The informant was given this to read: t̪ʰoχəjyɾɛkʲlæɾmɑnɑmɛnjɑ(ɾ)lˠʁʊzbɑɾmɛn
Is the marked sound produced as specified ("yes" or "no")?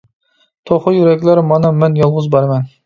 no